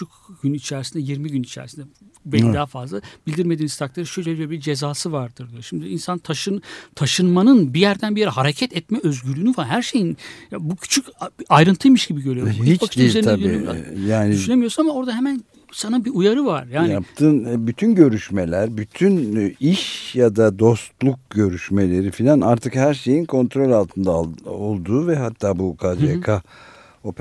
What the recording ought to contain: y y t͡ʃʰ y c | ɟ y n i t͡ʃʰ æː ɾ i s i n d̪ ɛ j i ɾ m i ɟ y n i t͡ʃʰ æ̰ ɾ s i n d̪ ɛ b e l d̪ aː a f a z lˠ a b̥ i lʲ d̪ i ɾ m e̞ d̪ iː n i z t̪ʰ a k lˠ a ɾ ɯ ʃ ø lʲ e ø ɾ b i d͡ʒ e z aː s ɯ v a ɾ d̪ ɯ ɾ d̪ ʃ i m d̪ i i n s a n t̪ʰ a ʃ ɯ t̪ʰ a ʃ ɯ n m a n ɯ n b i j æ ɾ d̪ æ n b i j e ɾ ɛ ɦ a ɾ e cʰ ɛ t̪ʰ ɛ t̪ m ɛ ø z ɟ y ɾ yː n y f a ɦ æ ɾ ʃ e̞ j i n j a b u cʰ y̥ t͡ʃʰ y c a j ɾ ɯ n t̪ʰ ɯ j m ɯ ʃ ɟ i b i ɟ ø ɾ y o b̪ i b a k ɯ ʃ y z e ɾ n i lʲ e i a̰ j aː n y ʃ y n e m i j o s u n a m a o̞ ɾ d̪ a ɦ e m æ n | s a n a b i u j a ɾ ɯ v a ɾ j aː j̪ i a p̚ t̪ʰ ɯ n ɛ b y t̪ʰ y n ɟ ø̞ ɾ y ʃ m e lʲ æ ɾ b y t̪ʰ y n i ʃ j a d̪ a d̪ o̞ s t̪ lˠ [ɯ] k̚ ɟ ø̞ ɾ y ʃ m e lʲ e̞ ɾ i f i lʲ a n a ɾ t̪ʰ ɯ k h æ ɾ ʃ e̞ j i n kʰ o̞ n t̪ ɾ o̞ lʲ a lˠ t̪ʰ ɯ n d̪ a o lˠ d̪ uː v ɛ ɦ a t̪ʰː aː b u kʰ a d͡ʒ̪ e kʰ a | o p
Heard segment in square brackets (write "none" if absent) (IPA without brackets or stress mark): u